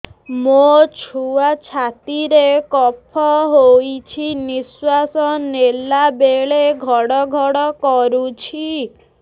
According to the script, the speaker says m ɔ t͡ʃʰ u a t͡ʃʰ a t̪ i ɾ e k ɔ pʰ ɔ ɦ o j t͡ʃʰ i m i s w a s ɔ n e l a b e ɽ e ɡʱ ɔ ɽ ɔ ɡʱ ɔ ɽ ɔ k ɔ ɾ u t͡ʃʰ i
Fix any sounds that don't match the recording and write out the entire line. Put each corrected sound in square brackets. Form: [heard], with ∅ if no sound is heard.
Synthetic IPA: m [o] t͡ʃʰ u a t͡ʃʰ a t̪ i ɾ e k ɔ pʰ ɔ ɦ o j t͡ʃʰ i [n] i s w a s ɔ n e l a b e [ɭ] e ɡʱ ɔ ɽ ɔ ɡʱ ɔ ɽ ɔ k ɔ ɾ u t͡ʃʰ i